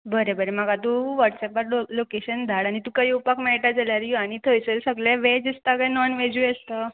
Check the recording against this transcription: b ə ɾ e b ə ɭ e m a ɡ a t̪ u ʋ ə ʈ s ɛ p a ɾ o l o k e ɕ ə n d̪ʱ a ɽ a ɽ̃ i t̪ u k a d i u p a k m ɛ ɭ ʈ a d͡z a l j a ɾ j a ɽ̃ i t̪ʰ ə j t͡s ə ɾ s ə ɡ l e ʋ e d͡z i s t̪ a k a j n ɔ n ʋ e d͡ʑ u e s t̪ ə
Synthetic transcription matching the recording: b ə ɾ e b ə ɾ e m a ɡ a t̪ u ʋ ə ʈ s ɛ p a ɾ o l o k e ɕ ə n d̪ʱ a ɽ a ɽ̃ i t̪ u k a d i u p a k m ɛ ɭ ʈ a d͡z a l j a ɾ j a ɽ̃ i t̪ʰ ə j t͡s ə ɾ s ə ɡ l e ʋ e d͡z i s t̪ a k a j n ɔ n ʋ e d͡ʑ u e s t̪ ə